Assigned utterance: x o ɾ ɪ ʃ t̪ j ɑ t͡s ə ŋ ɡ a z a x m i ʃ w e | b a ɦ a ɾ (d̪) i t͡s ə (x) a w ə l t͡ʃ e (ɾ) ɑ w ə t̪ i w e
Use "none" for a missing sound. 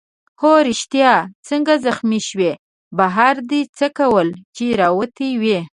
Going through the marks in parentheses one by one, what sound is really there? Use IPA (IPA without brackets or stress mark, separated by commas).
d̪, k, ɾ